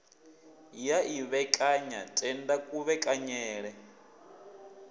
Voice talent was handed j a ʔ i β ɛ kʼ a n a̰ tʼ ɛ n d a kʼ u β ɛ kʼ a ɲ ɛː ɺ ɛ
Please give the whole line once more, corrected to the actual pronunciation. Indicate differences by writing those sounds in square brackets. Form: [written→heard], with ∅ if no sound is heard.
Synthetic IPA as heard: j a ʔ i β ɛ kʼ a [n→ɲ] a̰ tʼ ɛ n d a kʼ u β ɛ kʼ a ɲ ɛː ɺ ɛ